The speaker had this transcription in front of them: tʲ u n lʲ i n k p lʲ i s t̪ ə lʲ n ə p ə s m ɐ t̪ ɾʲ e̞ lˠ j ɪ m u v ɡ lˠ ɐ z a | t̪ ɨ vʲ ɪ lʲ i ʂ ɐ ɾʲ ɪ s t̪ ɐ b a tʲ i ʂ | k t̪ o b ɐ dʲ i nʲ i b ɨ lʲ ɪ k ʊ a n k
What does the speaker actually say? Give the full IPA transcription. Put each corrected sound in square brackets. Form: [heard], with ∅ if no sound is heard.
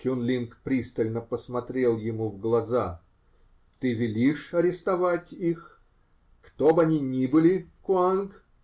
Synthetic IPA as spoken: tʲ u n lʲ i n k p [ɾʲ] i s t̪ ə lʲ n ə p ə s m ɐ t̪ ɾʲ e̞ lˠ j ɪ m u v ɡ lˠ ɐ z a | t̪ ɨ vʲ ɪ lʲ i ʂ ɐ ɾʲ ɪ s t̪ ɐ [v] a tʲ i [x] | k t̪ o b ɐ [nʲ] i nʲ i b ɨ lʲ ɪ k ʊ a n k

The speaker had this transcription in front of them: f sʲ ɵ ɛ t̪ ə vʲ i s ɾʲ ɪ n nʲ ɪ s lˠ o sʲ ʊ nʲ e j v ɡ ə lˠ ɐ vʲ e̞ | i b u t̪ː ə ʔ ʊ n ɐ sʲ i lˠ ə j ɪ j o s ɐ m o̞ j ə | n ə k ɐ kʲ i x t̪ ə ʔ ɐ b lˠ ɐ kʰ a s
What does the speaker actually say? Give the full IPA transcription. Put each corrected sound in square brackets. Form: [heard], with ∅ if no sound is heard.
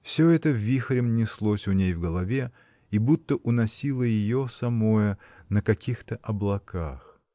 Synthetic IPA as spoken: f sʲ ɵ ɛ t̪ ə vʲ i [x] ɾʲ ɪ [m] nʲ ɪ s lˠ o sʲ ʊ nʲ e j v ɡ ə lˠ ɐ vʲ e̞ | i b u t̪ː ə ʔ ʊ n ɐ sʲ i lˠ ə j ɪ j o s ɐ m o̞ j ə | n ə k ɐ kʲ i x t̪ ə ʔ ɐ b lˠ ɐ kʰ a [x]

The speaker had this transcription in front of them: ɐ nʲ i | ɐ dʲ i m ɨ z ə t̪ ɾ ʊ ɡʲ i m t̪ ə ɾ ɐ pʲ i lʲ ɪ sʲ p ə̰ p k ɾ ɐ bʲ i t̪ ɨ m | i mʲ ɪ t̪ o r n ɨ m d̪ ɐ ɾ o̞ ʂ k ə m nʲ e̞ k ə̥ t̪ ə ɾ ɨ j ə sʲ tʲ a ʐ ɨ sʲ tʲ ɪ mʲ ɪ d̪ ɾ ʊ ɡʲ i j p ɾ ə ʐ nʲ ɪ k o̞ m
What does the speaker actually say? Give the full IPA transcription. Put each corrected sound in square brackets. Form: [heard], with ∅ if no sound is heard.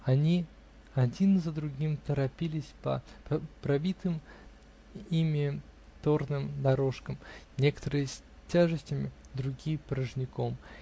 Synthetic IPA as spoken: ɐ nʲ i | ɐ dʲ i [n] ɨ z ə [d̪] ɾ ʊ ɡʲ i m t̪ ə ɾ ɐ pʲ i lʲ ɪ sʲ p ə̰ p [p] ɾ ɐ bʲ i t̪ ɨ m | i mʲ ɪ t̪ o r n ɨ m d̪ ɐ ɾ o̞ ʂ k ə m nʲ e̞ k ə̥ t̪ ə ɾ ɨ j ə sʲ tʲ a ʐ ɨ sʲ tʲ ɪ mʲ ɪ d̪ ɾ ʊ ɡʲ i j p ɾ ə ʐ nʲ ɪ k o̞ m

